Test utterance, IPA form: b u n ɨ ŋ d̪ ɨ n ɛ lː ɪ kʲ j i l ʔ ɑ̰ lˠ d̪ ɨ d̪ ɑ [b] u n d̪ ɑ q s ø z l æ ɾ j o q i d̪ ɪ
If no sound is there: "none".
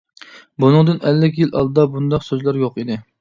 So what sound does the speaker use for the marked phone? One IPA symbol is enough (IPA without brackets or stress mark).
b